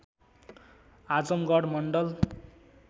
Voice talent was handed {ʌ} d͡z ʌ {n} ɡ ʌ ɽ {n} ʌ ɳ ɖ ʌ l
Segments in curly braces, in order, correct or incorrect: incorrect: a, incorrect: m, incorrect: m

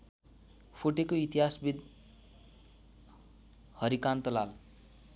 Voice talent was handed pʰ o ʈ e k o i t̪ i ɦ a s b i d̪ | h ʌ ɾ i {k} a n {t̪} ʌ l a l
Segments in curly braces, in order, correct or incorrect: correct, correct

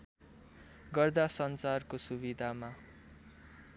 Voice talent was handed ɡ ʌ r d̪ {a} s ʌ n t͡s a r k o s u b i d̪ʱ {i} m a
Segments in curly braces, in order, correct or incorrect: correct, incorrect: a

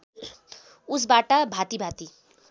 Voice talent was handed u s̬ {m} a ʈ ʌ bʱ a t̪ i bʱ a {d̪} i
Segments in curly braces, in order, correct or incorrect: incorrect: b, incorrect: t̪

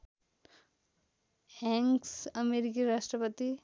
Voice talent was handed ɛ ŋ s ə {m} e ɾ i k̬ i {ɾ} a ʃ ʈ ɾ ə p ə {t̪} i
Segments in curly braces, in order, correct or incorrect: correct, correct, correct

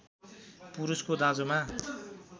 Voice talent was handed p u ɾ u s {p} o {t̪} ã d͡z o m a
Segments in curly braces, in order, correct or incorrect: incorrect: k, incorrect: d̪

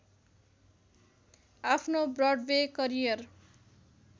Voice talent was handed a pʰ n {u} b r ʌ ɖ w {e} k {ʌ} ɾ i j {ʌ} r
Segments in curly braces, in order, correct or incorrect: incorrect: o, correct, correct, correct

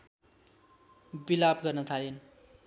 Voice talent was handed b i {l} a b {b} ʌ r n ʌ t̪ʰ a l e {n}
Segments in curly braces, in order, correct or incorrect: correct, incorrect: ɡ, correct

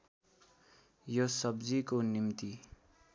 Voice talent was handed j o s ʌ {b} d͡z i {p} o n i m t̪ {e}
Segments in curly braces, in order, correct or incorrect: correct, incorrect: k, incorrect: i

